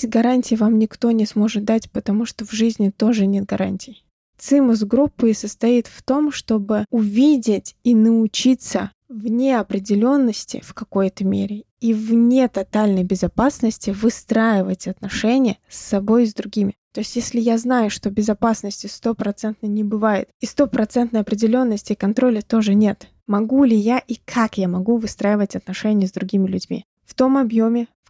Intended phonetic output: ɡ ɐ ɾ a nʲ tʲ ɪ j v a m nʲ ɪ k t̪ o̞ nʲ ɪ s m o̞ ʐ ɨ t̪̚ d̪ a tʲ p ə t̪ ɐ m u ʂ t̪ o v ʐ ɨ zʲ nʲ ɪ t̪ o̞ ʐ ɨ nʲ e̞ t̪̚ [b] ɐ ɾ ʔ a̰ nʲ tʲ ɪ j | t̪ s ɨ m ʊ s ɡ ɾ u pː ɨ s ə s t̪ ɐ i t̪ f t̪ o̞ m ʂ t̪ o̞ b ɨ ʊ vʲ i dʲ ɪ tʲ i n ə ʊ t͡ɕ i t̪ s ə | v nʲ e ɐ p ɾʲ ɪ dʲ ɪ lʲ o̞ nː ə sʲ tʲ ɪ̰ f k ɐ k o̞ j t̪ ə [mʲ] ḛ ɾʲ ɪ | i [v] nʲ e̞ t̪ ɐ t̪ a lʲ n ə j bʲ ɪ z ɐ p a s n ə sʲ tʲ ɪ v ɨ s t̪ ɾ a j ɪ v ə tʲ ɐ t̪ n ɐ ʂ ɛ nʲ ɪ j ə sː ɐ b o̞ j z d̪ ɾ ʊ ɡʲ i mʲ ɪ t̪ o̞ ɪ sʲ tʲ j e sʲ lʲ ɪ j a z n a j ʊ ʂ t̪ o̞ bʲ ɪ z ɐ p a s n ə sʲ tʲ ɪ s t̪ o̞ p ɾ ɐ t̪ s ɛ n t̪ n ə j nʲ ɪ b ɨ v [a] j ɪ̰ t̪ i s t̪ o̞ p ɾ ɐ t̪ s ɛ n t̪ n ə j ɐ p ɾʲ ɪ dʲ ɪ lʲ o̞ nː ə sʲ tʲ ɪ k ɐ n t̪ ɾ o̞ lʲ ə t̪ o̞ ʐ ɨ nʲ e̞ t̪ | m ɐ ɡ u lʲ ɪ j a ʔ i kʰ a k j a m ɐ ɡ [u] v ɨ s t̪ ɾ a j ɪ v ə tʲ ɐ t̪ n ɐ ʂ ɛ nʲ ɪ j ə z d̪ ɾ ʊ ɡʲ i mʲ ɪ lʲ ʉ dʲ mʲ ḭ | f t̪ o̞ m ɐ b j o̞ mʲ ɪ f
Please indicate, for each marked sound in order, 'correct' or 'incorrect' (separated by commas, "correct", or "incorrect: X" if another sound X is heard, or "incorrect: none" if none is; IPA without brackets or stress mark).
incorrect: ɡ, correct, correct, correct, correct